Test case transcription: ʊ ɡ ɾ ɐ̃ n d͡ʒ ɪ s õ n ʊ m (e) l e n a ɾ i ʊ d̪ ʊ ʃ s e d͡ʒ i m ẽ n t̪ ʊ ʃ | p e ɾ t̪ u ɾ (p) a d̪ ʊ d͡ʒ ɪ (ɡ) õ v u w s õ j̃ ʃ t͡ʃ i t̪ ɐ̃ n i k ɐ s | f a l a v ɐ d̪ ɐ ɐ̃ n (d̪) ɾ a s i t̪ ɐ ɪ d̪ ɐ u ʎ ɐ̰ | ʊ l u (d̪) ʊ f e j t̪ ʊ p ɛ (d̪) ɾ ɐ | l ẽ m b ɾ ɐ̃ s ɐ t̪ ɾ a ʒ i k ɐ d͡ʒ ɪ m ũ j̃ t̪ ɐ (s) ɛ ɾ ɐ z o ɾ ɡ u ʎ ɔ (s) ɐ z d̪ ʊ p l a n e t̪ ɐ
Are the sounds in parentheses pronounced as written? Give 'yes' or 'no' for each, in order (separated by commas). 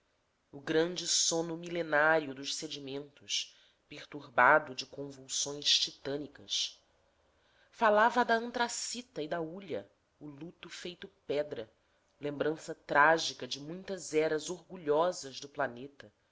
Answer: no, no, no, no, no, yes, no, no